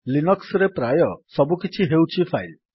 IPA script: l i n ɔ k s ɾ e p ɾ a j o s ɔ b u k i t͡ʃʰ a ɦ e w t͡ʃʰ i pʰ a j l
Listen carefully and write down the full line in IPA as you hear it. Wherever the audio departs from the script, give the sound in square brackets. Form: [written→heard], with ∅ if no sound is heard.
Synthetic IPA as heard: l i n ɔ k s ɾ e p ɾ a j [o→ɔ] s ɔ b u k i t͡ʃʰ [a→i] ɦ e w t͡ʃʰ i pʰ a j l